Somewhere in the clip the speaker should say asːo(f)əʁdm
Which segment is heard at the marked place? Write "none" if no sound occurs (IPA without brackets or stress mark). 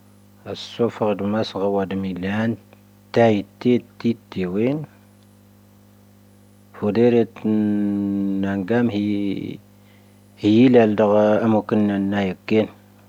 f